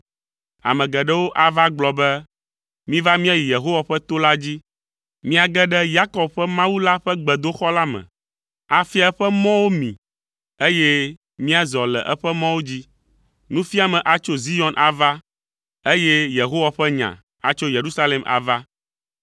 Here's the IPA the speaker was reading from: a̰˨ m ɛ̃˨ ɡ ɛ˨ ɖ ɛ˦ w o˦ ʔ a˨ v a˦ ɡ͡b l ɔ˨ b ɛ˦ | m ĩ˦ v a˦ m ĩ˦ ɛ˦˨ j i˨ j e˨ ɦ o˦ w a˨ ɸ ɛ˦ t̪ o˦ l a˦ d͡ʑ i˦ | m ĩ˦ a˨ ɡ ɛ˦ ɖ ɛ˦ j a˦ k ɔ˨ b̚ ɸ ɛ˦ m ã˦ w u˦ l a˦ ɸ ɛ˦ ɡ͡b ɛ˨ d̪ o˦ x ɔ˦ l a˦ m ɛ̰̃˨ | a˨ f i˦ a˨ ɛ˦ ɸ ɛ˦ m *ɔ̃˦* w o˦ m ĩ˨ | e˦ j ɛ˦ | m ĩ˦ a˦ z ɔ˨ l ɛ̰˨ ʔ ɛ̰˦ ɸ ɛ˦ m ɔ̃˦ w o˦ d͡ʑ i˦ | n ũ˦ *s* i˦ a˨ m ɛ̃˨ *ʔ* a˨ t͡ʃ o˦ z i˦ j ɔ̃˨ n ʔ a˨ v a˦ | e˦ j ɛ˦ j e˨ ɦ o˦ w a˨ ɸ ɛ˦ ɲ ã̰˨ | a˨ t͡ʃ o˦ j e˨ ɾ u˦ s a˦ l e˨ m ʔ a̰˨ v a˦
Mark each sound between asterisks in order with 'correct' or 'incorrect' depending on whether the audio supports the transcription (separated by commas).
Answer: correct, incorrect, correct